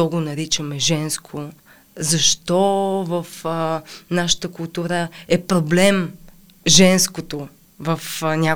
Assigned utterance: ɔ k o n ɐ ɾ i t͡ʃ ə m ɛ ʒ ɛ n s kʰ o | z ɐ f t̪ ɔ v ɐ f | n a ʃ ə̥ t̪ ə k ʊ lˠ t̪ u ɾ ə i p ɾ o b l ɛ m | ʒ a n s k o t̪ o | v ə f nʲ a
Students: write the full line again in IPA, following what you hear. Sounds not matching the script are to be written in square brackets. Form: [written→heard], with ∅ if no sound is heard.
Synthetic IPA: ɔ [k→ɡ] o n ɐ ɾ i t͡ʃ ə m ɛ ʒ ɛ n s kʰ o | z ɐ [f→ʃ] t̪ ɔ v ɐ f | n a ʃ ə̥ t̪ ə k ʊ lˠ t̪ u ɾ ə [i→ɛ] p ɾ o b l ɛ m | ʒ [a→ɛ] n s k o t̪ o | v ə f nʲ a